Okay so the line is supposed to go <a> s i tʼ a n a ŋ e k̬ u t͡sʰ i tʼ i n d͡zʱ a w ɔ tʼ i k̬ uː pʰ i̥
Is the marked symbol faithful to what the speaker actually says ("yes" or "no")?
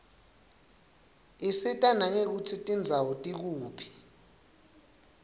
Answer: no